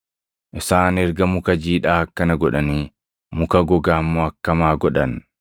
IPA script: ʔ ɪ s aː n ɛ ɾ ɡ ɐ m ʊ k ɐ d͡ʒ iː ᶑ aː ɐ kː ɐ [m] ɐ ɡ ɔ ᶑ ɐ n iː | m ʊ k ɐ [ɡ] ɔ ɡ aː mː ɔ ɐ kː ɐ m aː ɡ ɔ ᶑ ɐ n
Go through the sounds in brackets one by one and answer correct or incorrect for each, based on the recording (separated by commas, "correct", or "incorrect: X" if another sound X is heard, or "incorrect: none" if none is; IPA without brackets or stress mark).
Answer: incorrect: n, correct